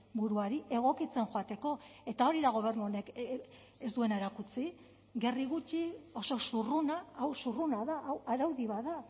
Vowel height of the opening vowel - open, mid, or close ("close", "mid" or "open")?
close